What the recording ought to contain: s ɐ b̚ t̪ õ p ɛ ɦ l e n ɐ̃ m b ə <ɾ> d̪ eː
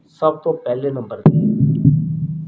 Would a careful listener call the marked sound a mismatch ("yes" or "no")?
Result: no